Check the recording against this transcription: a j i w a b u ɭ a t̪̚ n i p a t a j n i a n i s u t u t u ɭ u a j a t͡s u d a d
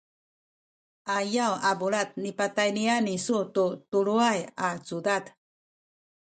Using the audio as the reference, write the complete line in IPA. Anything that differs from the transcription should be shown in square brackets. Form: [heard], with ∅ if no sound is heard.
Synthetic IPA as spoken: a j [a] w a b u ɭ a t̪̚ n i p a t a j n i a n i s u t u t u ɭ u a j a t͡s u d a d